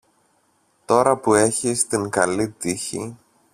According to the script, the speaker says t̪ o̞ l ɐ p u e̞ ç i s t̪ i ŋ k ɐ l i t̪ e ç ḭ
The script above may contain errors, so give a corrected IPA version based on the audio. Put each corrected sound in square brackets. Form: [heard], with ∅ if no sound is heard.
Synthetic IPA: t̪ o̞ [ɾ] ɐ p u e̞ ç i s t̪ i ŋ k ɐ l i t̪ [i] ç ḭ